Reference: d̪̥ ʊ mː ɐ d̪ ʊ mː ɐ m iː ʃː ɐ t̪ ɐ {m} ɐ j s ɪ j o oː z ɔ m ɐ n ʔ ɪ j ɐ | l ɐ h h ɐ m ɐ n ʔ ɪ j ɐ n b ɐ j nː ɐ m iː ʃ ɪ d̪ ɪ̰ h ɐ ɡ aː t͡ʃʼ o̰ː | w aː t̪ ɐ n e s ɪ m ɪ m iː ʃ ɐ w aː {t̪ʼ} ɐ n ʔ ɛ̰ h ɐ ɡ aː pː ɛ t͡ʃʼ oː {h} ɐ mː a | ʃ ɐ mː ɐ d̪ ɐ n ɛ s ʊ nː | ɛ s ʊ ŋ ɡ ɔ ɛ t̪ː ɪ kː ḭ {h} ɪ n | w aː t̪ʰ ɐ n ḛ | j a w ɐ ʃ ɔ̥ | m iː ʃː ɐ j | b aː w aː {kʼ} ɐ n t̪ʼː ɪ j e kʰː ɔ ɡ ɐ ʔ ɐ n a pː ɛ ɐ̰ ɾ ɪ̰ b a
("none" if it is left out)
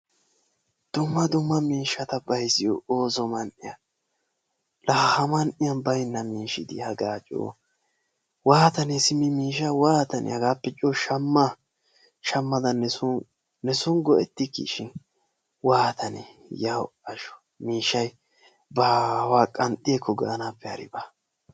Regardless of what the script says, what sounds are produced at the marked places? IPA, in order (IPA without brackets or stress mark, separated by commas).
b, t̪, ʃ, ʃ, kʼ